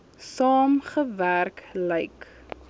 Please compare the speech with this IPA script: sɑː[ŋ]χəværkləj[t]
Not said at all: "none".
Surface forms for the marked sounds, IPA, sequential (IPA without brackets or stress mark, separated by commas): m, k